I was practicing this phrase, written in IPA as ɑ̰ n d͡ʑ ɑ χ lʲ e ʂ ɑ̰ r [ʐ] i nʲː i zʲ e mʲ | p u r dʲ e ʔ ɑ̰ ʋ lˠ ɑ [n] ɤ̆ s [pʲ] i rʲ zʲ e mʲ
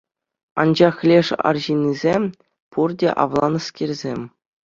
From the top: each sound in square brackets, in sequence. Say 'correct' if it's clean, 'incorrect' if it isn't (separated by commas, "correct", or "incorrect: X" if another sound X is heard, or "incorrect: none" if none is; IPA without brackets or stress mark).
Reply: incorrect: ʑ, correct, incorrect: kʲ